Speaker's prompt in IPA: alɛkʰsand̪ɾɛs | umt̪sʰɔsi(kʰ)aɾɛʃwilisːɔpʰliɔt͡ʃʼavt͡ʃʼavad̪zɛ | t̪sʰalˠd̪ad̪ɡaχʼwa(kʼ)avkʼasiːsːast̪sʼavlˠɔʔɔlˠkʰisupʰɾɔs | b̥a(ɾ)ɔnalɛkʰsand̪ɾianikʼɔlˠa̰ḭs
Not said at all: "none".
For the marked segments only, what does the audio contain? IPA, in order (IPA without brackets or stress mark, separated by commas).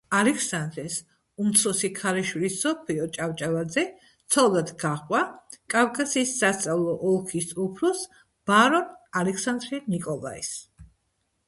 kʰ, kʼ, ɾ